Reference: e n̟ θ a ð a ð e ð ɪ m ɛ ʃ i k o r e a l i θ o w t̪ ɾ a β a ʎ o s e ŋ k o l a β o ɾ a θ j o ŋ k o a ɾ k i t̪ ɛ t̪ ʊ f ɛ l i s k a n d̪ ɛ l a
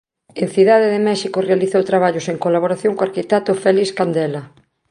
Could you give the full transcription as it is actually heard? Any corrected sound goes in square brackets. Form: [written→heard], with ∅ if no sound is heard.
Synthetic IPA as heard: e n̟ θ [a→i] ð a ð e ð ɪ m ɛ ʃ i k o r e a l i θ o w t̪ ɾ a β a ʎ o s e ŋ k o l a β o ɾ a θ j o ŋ k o a ɾ k i t̪ ɛ t̪ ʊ f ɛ l i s k a n d̪ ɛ l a